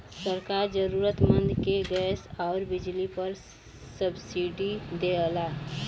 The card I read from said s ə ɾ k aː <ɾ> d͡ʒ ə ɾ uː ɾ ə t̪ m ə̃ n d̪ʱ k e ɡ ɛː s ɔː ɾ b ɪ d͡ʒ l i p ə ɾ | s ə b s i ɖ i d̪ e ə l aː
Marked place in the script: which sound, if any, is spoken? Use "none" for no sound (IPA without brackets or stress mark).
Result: ɾ